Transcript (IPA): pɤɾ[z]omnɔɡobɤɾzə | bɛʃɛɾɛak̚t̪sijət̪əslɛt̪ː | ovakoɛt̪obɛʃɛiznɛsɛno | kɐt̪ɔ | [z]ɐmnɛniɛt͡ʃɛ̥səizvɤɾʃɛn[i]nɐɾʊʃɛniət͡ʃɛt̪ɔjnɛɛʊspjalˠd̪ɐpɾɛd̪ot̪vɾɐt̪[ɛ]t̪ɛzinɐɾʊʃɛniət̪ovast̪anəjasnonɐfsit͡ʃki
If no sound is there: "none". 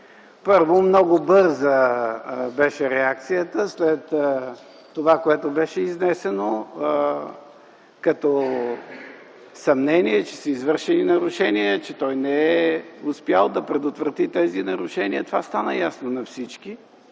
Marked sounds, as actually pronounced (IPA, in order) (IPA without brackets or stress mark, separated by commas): v, s, i, i